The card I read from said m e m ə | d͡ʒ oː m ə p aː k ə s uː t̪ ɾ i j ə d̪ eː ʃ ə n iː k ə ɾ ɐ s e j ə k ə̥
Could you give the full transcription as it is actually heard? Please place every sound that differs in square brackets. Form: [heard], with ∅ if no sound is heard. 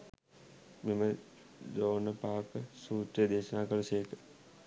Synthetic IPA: m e m ə | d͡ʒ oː [n] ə p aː k ə s uː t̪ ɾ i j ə d̪ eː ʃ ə n [aː] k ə [l] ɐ s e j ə k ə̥